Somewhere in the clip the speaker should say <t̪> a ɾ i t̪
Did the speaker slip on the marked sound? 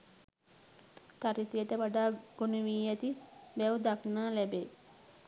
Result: no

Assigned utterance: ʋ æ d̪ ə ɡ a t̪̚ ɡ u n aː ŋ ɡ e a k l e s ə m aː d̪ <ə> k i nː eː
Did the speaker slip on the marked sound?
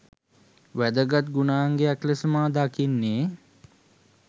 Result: yes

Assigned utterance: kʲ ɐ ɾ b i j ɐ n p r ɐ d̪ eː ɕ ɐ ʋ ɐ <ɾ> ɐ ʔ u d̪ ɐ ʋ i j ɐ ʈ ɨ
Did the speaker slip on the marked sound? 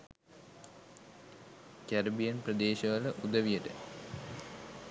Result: yes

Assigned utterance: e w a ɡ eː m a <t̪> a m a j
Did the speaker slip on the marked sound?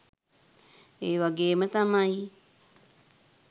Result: no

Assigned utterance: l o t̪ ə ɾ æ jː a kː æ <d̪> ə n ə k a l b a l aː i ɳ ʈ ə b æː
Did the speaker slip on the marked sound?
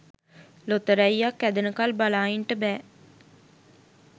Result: no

